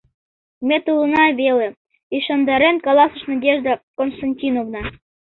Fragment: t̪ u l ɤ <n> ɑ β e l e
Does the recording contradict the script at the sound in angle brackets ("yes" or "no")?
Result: no